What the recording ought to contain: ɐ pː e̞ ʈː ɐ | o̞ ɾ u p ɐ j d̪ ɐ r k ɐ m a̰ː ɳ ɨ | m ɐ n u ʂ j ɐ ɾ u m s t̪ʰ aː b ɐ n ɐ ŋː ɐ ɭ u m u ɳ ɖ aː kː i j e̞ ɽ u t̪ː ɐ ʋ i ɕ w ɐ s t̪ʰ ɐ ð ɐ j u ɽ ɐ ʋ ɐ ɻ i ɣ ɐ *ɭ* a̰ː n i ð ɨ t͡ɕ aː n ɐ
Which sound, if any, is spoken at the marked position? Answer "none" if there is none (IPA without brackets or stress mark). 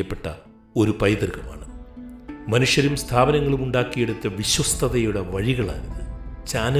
ɭ